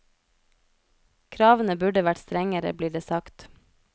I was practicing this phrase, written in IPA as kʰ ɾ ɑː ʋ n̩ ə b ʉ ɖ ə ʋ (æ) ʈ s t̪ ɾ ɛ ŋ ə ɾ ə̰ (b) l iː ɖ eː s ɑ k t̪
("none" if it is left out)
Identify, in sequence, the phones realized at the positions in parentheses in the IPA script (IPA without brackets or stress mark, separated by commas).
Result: æ, b